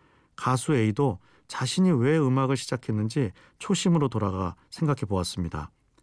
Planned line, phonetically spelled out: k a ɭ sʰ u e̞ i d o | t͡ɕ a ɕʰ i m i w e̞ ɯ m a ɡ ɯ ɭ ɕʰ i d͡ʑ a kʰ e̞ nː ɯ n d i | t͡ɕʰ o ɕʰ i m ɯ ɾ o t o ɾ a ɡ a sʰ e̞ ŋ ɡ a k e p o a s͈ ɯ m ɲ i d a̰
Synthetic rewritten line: k a sʰ u e̞ i d o | t͡ɕ a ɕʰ i ɲ i w e̞ ɯ m a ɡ ɯ ɭ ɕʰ i d͡ʑ a kʰ e̞ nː ɯ n d͡ʑ i | t͡ɕʰ o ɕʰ i m ɯ ɾ o t o ɾ a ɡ a sʰ e̞ ŋ ɡ a kʰ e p o a s͈ ɯ m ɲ i d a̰